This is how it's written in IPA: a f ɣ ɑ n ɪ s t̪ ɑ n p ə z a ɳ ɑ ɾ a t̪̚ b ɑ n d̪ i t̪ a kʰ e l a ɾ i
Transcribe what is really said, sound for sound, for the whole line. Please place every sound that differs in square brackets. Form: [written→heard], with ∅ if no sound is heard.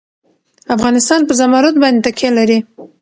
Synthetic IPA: a f ɣ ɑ n ɪ s t̪ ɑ n p ə z a [ɳ→m] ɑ ɾ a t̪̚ b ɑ n d̪ [i→e] t̪ a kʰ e l a ɾ i